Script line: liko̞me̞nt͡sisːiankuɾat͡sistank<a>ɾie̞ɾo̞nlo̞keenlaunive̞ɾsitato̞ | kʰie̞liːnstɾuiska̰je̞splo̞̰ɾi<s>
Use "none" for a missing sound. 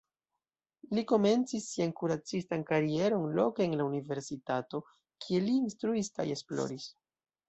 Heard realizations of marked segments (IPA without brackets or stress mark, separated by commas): a, s